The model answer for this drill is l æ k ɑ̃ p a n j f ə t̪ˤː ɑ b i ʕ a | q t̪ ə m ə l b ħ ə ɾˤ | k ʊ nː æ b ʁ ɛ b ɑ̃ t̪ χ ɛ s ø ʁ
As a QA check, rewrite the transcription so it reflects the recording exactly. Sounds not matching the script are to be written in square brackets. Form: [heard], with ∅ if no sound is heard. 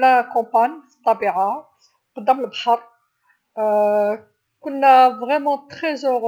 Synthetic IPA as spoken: l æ k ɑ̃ p a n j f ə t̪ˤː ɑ b i ʕ a | q [d̪] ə m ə l b ħ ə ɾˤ | k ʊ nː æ [v] ʁ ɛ [m] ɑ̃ t̪ χ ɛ [z] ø ʁ